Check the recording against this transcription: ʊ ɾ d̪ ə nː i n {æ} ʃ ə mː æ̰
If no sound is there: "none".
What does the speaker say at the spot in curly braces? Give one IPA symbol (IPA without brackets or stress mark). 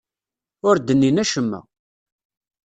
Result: æ